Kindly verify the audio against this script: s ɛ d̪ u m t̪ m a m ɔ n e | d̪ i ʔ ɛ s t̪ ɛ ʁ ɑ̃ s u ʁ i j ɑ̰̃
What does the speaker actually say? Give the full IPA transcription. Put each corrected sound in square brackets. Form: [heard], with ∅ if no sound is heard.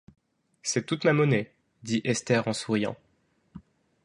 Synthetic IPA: s ɛ [t̪] u [∅] t̪ m a m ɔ n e | d̪ i ʔ ɛ s t̪ ɛ ʁ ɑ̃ s u ʁ i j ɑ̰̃